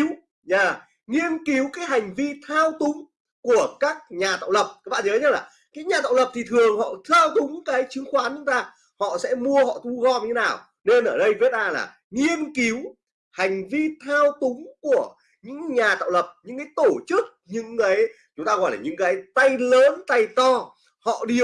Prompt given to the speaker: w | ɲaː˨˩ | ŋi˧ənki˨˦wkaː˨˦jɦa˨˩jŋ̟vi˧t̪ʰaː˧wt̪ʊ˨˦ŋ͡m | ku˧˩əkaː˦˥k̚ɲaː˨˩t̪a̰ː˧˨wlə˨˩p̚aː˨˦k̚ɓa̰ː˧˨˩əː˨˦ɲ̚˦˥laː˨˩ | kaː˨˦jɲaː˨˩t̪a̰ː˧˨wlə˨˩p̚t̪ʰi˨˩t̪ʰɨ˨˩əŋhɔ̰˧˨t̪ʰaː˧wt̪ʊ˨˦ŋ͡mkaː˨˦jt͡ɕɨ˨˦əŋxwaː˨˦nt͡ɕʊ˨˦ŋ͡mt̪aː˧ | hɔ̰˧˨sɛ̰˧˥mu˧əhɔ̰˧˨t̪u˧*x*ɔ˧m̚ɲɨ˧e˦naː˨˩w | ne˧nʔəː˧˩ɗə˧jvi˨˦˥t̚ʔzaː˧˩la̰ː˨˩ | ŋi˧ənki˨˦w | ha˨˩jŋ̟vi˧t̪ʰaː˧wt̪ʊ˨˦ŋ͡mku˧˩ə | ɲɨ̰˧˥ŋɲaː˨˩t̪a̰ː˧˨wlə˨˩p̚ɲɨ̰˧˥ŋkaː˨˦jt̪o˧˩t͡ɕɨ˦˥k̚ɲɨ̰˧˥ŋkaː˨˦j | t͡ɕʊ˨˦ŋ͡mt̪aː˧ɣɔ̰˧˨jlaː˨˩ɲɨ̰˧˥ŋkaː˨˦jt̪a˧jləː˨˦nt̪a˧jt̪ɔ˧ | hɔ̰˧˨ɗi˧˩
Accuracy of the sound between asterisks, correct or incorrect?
incorrect